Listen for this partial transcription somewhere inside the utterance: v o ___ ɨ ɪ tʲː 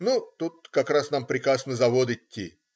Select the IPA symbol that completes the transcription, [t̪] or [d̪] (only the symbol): d̪